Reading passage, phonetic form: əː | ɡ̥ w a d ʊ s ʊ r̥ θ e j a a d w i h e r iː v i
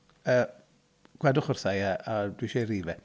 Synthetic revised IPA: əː | ɡ̥ w ɛ d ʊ χ ʊ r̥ θ a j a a d w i ʃ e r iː v ɛ